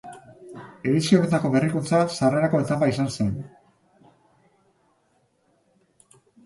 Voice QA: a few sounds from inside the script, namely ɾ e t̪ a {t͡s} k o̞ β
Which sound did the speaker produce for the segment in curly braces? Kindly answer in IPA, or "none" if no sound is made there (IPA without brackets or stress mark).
none